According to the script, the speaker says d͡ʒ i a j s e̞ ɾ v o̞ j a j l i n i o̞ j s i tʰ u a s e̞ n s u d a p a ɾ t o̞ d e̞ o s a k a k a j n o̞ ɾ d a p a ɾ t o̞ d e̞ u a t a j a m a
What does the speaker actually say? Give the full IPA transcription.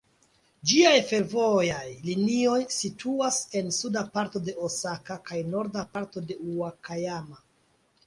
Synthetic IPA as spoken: d͡ʒ i a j f e̞ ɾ v o̞ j a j l i n i o̞ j s i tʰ u a s e̞ n s u d a p a ɾ t o̞ d e̞ o s a k a k a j n o̞ ɾ d a p a ɾ t o̞ d e̞ u a k a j a m a